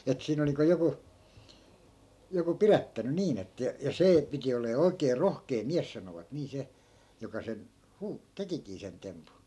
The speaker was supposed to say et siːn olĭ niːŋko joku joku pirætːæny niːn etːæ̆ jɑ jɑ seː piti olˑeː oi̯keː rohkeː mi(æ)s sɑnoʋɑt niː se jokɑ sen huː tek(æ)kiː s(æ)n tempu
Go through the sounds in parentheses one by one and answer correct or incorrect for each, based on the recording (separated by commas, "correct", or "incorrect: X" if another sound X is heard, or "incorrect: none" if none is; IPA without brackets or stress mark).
correct, incorrect: i, incorrect: e